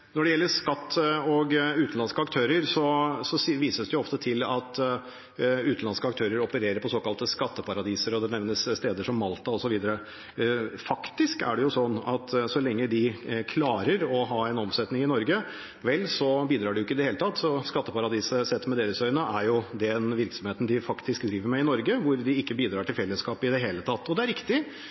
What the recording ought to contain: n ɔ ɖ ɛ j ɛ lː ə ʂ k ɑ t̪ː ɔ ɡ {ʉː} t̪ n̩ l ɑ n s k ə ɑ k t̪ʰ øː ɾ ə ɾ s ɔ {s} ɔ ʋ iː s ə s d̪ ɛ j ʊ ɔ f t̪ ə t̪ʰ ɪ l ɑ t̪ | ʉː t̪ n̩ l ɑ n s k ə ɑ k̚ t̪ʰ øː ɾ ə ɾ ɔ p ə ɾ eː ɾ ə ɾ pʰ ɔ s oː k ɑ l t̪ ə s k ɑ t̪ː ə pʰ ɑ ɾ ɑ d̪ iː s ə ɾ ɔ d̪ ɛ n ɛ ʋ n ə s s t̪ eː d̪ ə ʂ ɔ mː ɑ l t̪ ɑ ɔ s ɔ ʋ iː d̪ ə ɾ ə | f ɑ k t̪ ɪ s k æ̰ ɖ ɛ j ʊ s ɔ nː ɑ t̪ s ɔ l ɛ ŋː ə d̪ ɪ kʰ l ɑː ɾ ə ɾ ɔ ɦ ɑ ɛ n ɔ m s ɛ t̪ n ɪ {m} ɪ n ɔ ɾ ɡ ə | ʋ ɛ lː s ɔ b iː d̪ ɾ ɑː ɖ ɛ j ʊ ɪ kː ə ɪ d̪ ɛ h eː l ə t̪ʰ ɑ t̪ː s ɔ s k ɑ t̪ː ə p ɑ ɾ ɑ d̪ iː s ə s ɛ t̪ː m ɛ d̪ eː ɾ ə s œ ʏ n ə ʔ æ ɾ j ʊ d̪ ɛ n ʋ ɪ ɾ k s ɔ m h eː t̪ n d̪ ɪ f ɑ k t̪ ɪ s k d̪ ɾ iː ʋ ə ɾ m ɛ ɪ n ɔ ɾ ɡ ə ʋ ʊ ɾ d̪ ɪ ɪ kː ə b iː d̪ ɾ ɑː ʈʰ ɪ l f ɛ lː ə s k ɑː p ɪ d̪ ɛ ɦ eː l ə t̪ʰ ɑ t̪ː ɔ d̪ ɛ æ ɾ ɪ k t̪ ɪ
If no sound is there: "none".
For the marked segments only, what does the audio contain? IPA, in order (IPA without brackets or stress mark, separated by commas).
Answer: ʉː, s, ŋ